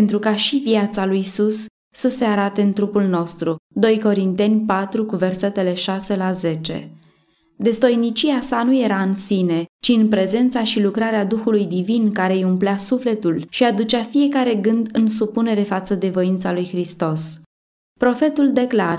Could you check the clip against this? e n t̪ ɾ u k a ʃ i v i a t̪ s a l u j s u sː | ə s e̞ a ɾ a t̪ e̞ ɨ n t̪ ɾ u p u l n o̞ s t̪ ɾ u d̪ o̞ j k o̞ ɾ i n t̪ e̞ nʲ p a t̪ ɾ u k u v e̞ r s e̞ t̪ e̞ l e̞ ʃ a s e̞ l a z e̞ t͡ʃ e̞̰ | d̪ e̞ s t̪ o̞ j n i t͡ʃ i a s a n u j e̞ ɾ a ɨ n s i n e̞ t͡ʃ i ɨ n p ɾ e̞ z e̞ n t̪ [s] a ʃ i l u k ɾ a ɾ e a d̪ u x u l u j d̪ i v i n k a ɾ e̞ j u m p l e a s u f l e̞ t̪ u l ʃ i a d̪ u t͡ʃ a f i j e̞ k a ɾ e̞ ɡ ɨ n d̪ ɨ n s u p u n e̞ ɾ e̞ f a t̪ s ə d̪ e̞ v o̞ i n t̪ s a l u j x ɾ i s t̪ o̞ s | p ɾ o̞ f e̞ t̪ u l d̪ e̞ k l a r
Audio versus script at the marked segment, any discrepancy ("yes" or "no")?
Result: no